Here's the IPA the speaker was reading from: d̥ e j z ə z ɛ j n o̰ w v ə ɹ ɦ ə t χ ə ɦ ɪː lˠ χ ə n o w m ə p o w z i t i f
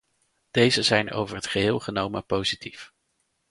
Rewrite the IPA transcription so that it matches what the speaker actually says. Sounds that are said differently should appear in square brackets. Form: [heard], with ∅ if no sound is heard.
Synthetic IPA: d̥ e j z ə z ɛ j n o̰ w v ə ɹ ɦ ə t χ ə ɦ ɪː lˠ χ ə n o w m ə p o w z i t i f